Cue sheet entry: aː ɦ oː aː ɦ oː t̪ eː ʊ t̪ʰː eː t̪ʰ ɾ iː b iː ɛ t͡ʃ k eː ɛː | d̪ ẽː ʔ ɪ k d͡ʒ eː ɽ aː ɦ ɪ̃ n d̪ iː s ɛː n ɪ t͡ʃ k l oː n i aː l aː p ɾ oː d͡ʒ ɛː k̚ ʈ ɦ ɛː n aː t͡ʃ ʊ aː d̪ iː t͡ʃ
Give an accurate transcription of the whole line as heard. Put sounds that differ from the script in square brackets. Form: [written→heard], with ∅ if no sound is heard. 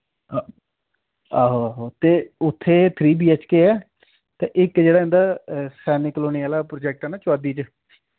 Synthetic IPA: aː ɦ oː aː ɦ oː t̪ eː ʊ t̪ʰː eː t̪ʰ ɾ iː b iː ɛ t͡ʃ k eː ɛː | [d̪→t̪] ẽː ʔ ɪ k d͡ʒ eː ɽ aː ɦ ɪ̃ n d̪ [iː→aː] s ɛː n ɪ [t͡ʃ→∅] k l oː n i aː l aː p ɾ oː d͡ʒ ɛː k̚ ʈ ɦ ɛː n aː t͡ʃ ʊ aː d̪ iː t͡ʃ